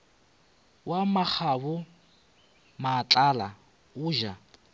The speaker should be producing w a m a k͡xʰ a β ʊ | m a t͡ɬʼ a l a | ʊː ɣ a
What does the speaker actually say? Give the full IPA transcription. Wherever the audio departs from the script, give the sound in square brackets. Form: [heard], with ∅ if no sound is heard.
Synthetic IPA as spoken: w a m a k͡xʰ a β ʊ | m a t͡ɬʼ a l a | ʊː [ʒ] a